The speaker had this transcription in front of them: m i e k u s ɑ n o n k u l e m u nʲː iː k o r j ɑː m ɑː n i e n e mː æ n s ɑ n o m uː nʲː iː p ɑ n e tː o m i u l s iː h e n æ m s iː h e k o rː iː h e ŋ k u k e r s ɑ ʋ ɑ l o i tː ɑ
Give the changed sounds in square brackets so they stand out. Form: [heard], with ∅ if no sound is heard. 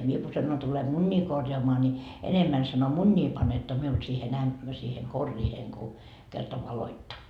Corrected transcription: m i e k u s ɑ n o n [t] u l e m u nʲː iː k o r j ɑː m ɑː n i e n e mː æ n s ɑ n o m [u] nʲː iː p ɑ n e tː o m i u l s iː h e n æ m s iː h e k o rː iː h e ŋ k u k e r [t] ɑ ʋ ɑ l o i tː ɑ